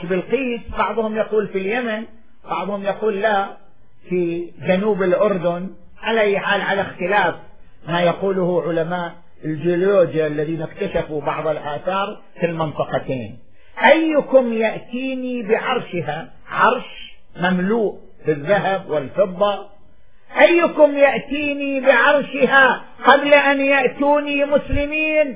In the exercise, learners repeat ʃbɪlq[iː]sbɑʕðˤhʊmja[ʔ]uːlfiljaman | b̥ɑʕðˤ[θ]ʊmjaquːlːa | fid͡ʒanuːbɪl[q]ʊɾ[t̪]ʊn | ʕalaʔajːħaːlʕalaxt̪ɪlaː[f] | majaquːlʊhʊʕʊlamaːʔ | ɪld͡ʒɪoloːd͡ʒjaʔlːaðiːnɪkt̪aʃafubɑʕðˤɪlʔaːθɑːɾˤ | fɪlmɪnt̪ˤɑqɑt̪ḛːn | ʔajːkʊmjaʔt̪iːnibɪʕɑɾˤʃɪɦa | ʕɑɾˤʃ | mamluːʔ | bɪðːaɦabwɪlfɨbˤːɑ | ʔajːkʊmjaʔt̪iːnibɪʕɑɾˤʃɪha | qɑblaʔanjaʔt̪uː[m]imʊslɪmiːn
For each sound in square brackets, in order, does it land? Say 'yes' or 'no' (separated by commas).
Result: yes, no, no, no, no, yes, no